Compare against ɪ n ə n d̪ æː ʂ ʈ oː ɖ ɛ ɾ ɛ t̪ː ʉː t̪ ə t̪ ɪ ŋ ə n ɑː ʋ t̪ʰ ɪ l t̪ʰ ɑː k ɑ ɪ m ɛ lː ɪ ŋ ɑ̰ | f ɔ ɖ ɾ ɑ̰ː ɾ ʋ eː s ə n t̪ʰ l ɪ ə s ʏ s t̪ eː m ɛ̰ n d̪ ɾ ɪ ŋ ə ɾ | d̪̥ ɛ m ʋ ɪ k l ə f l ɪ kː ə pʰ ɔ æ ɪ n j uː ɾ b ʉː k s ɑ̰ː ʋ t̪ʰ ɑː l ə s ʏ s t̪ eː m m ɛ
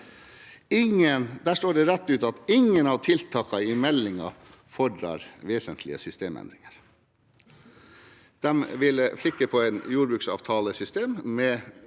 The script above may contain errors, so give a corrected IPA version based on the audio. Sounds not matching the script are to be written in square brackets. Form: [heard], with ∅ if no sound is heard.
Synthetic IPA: ɪ [ŋ] ə n d̪ æː ʂ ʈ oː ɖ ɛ ɾ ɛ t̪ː ʉː t̪ [ɑ] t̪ ɪ ŋ ə n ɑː ʋ t̪ʰ ɪ l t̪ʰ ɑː k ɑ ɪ m ɛ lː ɪ ŋ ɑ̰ | f ɔ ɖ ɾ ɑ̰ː ɾ ʋ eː s ə n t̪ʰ l ɪ ə s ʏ s t̪ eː m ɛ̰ n d̪ ɾ ɪ ŋ ə ɾ | d̪̥ ɛ m ʋ ɪ [∅] l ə f l ɪ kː ə pʰ ɔ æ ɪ n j uː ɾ b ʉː k s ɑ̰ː ʋ t̪ʰ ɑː l ə s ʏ s t̪ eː m m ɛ